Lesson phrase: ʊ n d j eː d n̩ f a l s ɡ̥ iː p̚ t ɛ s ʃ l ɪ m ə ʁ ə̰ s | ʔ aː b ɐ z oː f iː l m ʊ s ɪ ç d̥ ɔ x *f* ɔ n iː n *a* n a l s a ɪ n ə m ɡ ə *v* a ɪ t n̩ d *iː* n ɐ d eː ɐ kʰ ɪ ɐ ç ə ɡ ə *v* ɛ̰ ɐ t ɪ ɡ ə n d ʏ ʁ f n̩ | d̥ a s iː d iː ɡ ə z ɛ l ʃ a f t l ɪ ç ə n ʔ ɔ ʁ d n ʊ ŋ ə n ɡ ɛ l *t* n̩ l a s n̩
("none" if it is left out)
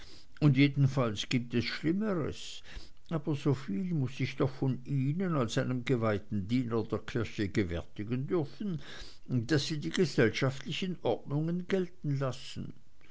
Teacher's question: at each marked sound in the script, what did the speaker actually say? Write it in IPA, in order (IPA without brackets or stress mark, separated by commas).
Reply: f, ə, v, iː, v, t